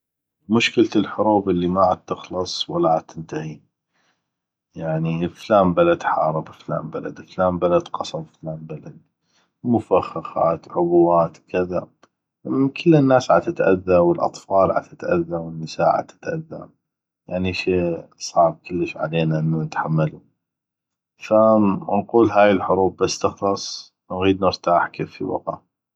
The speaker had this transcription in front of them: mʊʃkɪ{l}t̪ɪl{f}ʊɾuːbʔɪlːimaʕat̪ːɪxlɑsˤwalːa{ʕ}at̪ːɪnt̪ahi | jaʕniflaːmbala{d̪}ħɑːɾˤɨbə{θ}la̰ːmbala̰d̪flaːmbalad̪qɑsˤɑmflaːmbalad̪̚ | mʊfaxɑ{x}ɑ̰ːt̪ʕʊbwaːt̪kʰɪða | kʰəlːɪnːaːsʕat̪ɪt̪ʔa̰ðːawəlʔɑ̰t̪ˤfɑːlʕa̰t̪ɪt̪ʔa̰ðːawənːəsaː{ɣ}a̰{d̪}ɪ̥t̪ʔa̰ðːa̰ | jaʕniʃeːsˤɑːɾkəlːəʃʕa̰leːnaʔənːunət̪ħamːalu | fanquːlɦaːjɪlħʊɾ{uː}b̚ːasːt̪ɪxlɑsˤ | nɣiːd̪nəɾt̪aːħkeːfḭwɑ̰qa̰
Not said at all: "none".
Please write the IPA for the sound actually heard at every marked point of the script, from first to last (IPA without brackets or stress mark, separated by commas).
l, ħ, ʕ, d̪, f, x, ʕ, t̪, uː